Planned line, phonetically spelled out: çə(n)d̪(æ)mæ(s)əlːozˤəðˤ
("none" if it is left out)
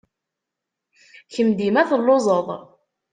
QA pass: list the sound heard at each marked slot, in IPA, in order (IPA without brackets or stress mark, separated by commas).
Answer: m, i, θ